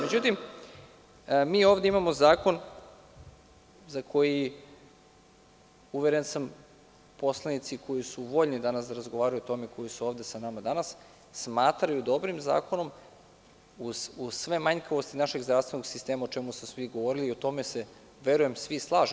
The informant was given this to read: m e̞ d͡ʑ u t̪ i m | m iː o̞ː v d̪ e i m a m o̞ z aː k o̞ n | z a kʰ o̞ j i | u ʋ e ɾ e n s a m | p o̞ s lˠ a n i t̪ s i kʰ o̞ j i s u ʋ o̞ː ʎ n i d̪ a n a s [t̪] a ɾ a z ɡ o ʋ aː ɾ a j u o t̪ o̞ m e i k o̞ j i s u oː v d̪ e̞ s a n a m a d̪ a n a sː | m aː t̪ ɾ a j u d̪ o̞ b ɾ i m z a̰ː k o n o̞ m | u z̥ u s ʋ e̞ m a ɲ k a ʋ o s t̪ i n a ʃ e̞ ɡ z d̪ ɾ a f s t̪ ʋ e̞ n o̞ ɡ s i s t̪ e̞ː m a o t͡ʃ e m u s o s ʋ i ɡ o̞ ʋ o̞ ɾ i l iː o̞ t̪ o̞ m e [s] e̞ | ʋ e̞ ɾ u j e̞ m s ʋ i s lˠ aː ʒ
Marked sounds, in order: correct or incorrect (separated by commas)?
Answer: incorrect, correct